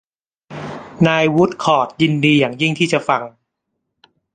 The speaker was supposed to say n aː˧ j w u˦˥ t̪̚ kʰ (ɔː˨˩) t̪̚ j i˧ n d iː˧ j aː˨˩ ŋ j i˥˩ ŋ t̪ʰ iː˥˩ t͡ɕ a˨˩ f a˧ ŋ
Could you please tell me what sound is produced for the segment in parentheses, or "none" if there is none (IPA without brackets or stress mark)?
ɔː˨˩